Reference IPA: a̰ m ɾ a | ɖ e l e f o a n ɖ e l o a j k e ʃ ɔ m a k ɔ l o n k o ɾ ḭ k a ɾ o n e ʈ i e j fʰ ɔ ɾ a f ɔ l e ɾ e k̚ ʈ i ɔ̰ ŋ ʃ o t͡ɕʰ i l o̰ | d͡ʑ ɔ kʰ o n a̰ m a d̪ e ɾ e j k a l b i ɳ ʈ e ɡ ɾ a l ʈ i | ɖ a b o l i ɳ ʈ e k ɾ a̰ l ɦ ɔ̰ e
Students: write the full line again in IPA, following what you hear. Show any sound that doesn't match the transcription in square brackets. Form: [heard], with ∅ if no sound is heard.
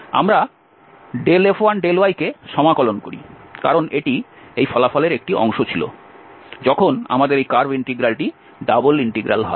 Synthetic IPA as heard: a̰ m ɾ a | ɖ e l e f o a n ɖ e l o a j k e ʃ ɔ m a k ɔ l o n k o ɾ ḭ k a ɾ o n e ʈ i e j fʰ ɔ [l] a f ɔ l e ɾ e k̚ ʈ i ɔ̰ ŋ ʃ o t͡ɕʰ i l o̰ | d͡ʑ ɔ kʰ o n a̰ m a d̪ e ɾ e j k a [ɾ] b i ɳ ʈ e ɡ ɾ a l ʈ i | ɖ a b o l i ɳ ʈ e [ɡ] ɾ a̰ l ɦ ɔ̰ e